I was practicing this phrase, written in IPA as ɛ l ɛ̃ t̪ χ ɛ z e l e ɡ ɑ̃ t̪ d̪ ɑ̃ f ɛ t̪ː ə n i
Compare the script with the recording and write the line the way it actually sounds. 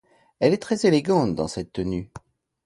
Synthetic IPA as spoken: ɛ l ɛ t̪ χ ɛ z e l e ɡ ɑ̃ t̪ d̪ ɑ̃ s ɛ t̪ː ə n y